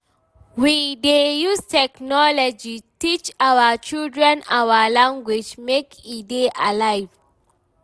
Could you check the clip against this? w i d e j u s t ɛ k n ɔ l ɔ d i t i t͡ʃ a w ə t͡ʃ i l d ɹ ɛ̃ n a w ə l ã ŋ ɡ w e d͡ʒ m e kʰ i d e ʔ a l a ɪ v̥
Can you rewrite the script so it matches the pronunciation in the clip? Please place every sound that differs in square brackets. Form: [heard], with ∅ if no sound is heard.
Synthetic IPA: w i d e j u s t ɛ k n ɔ l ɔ [d͡ʒ] i t i t͡ʃ a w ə t͡ʃ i l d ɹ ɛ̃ n a w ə l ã ŋ ɡ w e d͡ʒ m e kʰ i d e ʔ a l a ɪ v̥

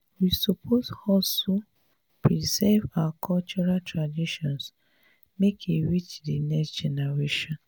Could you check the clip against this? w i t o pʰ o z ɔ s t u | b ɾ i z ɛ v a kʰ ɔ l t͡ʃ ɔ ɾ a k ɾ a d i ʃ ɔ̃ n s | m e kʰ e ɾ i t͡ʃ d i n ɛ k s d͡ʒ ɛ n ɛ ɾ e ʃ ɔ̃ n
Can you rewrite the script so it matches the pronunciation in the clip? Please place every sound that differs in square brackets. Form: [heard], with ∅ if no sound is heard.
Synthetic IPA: w i [s] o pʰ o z ɔ s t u | [p] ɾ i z ɛ v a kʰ ɔ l t͡ʃ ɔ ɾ a [t] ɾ a d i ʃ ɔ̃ n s | m e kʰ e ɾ i t͡ʃ d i n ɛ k s d͡ʒ ɛ n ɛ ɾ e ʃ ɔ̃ n

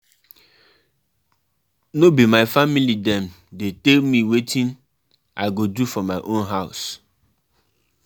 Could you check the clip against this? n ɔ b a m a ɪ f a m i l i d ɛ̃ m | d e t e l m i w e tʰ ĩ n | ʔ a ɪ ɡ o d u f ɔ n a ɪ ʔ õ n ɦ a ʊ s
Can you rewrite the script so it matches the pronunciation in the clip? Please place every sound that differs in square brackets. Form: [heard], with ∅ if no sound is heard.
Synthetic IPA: n [o] b [i] m a ɪ f a m i l i d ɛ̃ m | d e t e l m i w e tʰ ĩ n | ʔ a ɪ ɡ o d u f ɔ [m] a ɪ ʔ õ n ɦ a ʊ s

